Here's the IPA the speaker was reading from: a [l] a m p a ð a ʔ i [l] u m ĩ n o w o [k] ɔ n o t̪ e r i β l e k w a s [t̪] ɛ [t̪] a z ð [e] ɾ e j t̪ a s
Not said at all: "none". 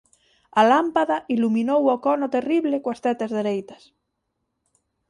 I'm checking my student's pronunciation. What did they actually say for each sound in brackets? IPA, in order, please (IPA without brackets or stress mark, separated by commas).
l, l, k, t̪, t̪, e